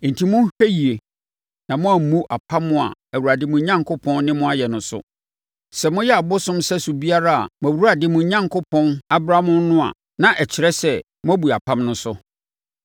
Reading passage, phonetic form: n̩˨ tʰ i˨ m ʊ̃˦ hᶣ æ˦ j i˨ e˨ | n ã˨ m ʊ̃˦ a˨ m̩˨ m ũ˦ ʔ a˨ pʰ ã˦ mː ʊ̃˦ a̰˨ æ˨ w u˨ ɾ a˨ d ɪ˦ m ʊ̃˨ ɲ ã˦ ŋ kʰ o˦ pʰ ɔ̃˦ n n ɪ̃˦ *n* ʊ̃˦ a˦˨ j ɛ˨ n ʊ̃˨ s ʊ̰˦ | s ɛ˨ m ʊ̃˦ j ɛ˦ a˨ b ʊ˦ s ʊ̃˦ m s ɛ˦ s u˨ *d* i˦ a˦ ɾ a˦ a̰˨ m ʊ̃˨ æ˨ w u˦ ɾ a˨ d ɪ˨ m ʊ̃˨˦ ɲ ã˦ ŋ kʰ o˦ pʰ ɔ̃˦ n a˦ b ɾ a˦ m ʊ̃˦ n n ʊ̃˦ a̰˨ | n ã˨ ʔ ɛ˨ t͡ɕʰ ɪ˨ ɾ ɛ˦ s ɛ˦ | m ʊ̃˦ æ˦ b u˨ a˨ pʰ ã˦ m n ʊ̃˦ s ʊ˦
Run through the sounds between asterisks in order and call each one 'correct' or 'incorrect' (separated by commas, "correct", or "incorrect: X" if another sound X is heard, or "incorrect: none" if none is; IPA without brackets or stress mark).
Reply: incorrect: m, incorrect: b